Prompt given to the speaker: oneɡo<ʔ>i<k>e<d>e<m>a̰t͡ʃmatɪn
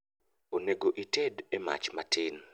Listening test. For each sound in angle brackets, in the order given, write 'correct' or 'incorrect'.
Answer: correct, incorrect: t, correct, correct

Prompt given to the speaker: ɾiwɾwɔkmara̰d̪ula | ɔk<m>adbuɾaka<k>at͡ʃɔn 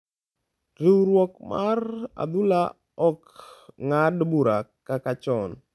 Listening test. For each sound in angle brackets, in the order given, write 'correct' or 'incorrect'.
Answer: incorrect: ŋ, correct

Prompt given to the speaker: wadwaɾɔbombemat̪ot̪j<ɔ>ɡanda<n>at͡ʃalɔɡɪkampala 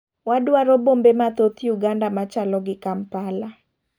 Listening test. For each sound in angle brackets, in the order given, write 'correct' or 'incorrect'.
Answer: incorrect: u, incorrect: m

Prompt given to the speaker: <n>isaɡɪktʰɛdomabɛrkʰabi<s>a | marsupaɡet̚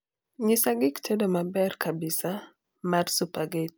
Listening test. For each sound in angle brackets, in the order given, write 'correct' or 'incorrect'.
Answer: incorrect: ɲ, correct

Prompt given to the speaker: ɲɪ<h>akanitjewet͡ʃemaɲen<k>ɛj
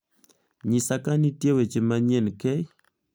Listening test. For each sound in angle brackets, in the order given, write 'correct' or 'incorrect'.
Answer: incorrect: s, correct

